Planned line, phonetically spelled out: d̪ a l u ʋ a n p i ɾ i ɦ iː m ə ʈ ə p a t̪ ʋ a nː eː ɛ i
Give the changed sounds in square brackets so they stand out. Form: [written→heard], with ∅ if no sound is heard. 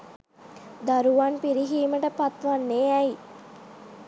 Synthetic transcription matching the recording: d̪ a [l→ɾ] u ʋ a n p i ɾ i ɦ iː m ə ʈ ə p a t̪ ʋ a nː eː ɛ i